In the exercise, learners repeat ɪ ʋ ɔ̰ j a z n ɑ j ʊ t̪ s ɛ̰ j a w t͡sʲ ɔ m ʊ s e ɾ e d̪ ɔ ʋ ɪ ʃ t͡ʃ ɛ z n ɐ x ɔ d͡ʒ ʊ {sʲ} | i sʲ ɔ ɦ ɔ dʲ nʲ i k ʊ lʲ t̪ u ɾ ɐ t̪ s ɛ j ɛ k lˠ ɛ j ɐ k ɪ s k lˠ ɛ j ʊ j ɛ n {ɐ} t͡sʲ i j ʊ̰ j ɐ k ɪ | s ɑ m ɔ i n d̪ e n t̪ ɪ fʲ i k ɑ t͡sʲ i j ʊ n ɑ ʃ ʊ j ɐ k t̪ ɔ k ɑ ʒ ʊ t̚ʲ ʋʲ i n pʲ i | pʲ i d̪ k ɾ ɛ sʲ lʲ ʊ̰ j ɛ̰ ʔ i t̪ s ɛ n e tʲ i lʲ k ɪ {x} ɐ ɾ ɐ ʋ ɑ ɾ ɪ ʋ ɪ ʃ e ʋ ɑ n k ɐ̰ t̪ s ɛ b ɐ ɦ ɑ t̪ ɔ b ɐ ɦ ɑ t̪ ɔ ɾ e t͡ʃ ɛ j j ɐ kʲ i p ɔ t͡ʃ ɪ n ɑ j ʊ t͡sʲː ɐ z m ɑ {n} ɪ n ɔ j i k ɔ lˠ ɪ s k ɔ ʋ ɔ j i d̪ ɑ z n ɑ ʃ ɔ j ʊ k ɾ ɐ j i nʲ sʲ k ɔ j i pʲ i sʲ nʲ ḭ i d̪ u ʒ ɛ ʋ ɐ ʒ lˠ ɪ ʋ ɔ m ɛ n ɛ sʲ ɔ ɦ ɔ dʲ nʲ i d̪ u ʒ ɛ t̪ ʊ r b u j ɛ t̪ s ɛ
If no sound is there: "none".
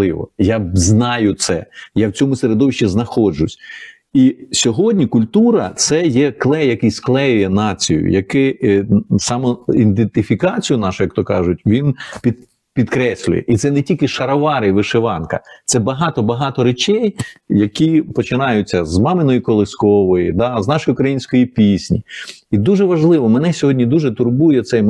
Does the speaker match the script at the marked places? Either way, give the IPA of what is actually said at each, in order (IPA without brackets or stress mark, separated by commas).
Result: sʲ, ɑ, ʃ, m